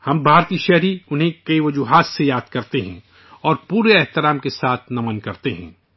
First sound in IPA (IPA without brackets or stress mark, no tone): h